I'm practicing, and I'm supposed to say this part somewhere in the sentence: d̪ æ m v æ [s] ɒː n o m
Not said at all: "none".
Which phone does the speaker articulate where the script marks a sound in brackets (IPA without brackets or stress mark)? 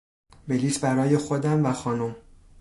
x